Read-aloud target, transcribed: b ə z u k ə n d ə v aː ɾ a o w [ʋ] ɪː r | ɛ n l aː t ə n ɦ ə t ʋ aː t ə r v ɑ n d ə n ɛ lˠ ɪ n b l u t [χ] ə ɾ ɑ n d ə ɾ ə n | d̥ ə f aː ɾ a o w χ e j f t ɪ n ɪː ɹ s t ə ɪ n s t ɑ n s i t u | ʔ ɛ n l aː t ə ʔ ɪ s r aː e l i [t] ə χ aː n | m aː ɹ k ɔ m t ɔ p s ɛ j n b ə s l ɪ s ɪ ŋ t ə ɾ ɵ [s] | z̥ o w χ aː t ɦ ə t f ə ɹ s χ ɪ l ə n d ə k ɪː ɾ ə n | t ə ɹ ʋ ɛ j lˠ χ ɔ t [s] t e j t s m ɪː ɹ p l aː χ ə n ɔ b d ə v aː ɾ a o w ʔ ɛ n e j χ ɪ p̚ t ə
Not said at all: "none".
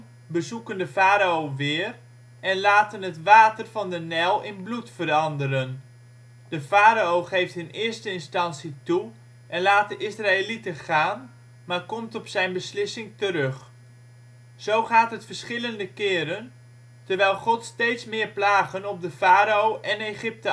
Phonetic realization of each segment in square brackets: ʋ, f, t, χ, s

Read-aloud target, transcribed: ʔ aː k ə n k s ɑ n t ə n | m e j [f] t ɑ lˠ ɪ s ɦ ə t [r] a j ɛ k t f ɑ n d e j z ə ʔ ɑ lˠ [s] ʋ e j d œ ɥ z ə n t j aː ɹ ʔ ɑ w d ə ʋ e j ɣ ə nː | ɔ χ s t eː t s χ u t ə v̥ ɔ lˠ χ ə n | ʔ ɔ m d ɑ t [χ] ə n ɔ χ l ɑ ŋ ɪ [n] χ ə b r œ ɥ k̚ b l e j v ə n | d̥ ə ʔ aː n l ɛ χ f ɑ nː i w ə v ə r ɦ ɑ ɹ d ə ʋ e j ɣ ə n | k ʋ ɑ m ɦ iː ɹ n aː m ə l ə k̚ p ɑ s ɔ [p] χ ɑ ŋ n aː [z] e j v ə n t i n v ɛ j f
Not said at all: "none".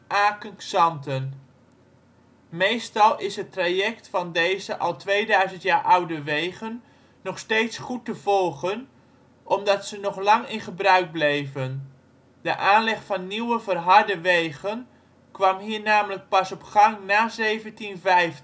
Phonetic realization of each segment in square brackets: s, r, t, s, n, p, z

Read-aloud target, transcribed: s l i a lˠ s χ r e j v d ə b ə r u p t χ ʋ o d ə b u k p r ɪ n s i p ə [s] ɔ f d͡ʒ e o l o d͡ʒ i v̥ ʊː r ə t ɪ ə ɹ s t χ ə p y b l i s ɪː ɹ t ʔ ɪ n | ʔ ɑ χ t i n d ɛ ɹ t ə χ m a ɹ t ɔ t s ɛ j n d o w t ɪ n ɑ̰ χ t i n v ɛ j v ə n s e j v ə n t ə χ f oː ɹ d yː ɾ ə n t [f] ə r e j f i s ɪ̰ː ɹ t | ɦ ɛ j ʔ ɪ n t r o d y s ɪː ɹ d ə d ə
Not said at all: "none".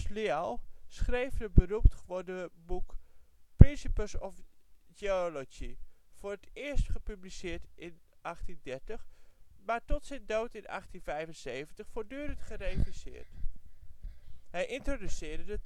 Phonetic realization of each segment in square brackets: s, χ

